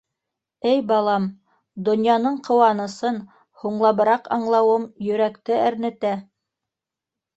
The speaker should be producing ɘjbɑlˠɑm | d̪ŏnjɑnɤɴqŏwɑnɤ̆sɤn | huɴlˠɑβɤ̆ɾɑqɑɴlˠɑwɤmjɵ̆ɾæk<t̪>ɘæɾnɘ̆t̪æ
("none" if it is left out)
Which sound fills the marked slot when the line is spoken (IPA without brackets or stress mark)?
t̪